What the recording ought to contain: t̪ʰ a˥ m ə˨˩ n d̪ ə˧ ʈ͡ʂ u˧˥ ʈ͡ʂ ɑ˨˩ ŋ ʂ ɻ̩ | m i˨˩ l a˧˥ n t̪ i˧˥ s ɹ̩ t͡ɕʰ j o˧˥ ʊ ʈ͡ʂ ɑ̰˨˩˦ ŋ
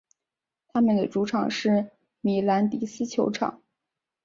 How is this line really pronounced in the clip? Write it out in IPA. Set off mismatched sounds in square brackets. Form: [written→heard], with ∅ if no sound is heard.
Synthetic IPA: t̪ʰ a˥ m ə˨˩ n d̪ [ə˧→ə˩] ʈ͡ʂ u˧˥ [ʈ͡ʂ→ʈ͡ʂʰ] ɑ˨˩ ŋ ʂ ɻ̩ | m i˨˩ l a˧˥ n t̪ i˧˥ s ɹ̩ t͡ɕʰ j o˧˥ ʊ [ʈ͡ʂ→ʈ͡ʂʰ] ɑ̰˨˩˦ ŋ